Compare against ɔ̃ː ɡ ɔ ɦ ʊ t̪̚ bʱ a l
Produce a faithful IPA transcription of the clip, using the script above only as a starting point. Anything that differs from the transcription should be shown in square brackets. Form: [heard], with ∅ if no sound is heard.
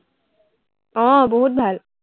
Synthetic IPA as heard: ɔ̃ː [b] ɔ ɦ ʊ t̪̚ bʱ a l